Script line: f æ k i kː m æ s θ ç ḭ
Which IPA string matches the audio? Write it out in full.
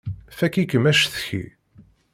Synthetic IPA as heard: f æ k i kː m æ ʃ θ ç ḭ